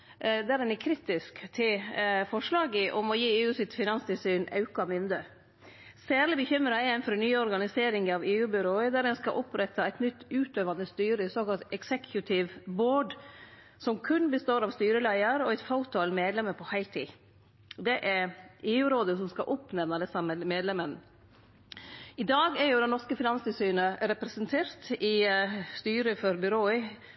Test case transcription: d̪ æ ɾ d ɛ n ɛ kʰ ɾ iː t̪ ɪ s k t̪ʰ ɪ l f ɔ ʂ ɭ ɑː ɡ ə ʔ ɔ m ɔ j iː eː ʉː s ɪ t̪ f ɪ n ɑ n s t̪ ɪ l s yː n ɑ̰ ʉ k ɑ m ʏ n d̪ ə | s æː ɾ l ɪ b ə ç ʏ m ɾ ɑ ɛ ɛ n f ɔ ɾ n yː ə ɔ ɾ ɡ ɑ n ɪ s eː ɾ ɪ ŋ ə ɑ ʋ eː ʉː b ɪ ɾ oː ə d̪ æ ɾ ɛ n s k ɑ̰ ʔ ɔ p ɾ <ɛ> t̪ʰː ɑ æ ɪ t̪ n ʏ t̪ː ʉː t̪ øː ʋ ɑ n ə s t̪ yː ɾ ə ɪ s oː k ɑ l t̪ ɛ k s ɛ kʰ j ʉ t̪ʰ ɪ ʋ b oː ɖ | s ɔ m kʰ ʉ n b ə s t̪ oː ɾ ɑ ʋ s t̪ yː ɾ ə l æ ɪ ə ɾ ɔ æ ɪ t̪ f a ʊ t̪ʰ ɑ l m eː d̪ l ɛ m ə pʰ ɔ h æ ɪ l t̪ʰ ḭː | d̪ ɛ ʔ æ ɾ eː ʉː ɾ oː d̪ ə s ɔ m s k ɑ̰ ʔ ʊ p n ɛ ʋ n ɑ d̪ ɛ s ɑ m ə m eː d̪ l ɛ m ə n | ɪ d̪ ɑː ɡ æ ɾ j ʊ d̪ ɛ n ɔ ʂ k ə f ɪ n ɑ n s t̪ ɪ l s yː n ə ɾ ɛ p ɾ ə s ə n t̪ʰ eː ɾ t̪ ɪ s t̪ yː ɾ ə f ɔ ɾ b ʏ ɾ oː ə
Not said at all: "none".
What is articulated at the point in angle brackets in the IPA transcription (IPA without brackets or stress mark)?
ɛ